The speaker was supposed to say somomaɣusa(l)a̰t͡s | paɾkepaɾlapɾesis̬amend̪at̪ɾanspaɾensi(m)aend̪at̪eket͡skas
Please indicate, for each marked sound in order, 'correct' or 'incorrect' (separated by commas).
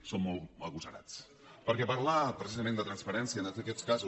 incorrect, incorrect